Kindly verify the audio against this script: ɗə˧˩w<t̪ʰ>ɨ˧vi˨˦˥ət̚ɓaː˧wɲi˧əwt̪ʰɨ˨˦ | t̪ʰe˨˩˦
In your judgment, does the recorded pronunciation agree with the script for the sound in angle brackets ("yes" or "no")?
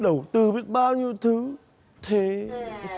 no